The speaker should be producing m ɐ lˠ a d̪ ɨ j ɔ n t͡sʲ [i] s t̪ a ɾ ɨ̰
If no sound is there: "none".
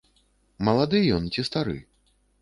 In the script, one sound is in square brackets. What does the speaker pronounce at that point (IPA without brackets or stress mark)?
i